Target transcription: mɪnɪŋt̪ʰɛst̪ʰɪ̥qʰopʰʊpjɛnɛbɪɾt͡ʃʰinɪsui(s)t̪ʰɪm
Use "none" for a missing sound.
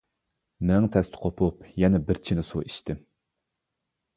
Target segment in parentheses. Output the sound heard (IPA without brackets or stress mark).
ʃ